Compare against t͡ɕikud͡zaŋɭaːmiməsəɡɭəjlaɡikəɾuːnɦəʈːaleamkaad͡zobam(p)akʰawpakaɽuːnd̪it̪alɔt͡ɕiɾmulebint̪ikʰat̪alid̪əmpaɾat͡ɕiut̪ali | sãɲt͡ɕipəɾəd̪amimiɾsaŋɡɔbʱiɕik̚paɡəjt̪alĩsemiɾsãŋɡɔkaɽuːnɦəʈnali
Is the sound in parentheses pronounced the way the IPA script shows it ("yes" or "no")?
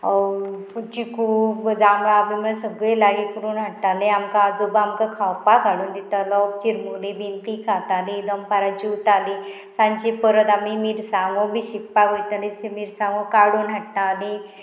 no